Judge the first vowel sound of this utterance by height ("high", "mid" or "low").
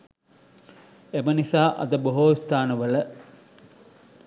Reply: mid